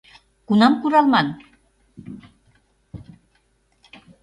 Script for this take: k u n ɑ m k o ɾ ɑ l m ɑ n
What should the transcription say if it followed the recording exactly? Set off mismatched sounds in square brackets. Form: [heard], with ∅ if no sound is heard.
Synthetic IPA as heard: k u n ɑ m k [u] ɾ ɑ l m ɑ n